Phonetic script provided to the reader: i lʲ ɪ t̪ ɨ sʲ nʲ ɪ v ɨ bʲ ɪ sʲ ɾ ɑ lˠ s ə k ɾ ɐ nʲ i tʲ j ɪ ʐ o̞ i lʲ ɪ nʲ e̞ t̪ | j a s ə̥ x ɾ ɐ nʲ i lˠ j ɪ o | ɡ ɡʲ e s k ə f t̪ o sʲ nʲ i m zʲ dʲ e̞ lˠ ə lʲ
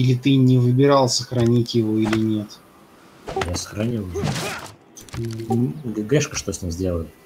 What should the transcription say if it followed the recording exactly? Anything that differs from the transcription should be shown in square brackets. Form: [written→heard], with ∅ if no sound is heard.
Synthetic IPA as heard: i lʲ ɪ t̪ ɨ [sʲ→∅] nʲ ɪ v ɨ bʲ ɪ [sʲ→∅] ɾ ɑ lˠ s ə [k→x] ɾ ɐ nʲ i tʲ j ɪ [ʐ→v] o̞ i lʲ ɪ nʲ e̞ t̪ | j a s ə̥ x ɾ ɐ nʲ i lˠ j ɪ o | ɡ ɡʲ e [s→ʂ] k ə [f→ʂ] t̪ o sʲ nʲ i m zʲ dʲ e̞ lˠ ə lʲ